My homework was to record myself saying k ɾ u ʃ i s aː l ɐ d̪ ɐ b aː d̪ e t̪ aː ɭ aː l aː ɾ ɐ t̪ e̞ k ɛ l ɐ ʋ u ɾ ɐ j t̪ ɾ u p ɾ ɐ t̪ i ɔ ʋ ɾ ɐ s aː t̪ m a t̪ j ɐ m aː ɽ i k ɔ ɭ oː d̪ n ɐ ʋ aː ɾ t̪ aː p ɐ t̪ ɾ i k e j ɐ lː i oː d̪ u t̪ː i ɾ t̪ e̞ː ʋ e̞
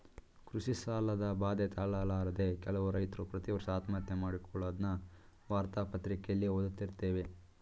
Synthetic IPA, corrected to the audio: k ɾ u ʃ i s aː l ɐ d̪ ɐ b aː d̪ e t̪ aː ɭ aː l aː ɾ ɐ d̪ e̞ k ɛ l ɐ ʋ u ɾ ɐ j t̪ ɾ u p ɾ ɐ t̪ i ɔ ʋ ɾ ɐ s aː t̪ m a t̪ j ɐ m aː ɽ i k ɔ ɭ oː d̪ n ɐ ʋ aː ɾ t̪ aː p ɐ t̪ ɾ i k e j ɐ lː i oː d̪ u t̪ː i ɾ t̪ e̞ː ʋ e̞